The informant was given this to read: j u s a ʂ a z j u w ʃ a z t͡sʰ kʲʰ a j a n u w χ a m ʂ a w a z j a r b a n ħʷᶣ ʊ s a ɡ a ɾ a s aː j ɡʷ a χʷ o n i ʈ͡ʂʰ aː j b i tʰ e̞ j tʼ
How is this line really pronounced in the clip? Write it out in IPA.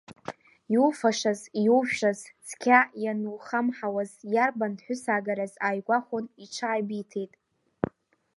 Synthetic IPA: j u f a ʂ a z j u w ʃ a z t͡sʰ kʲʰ a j a n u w χ a m ħ a w a z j a r b a n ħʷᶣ ʊ s a ɡ a ɾ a z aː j ɡʷ a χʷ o n i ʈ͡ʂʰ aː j b i tʰ e̞ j tʼ